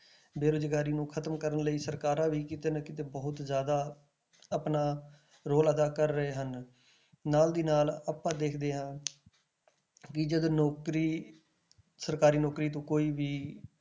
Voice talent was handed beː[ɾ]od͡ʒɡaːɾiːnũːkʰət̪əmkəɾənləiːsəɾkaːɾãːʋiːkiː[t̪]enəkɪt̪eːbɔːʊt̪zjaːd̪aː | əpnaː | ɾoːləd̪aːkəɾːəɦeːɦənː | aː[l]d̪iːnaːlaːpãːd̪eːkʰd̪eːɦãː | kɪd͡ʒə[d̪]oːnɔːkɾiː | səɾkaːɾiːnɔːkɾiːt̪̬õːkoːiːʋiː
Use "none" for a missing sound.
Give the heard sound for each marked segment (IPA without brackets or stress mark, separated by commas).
ɾ, t̪, l, d̪